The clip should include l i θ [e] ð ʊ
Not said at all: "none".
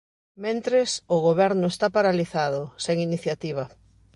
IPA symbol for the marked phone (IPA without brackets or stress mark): a